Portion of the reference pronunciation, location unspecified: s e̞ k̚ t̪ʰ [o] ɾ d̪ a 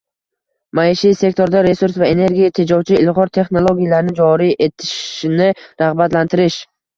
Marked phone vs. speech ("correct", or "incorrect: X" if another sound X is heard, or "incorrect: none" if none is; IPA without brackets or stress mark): correct